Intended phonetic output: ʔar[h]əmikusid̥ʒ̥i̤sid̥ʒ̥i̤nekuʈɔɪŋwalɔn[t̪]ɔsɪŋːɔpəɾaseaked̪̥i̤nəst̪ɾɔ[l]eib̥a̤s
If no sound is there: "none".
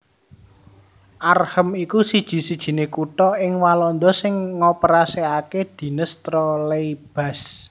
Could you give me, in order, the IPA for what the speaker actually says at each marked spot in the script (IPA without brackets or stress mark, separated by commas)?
h, d̪, l